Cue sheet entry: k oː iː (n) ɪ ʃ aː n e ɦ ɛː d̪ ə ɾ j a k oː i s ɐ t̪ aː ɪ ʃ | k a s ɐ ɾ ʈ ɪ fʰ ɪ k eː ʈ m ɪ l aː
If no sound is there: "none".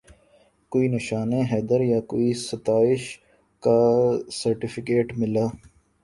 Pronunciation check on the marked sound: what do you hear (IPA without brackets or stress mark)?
n